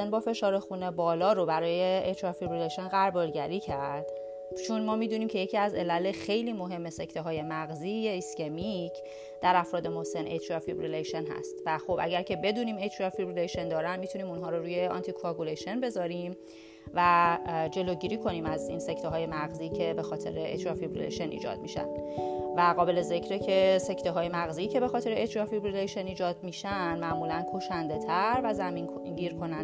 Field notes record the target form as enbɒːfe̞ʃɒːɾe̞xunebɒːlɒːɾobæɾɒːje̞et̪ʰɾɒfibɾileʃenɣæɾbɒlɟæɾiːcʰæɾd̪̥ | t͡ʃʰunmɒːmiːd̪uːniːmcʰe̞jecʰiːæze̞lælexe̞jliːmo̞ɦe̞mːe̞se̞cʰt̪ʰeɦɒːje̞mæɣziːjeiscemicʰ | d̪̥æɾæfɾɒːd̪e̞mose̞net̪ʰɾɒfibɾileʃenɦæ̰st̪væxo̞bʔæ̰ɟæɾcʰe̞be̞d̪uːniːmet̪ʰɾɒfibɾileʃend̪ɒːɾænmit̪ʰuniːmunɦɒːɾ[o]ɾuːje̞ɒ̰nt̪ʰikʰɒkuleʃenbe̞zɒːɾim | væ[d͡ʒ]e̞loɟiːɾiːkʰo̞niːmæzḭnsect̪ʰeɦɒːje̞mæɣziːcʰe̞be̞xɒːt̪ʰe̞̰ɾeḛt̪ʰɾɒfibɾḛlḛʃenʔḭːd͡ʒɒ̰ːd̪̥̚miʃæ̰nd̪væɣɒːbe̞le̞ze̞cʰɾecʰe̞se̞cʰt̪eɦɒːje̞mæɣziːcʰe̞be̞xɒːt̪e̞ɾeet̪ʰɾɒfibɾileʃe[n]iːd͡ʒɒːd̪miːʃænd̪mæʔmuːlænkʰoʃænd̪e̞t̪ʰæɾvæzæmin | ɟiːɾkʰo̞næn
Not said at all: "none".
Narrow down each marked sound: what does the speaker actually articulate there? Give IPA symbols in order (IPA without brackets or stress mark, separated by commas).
o, d͡ʒ, n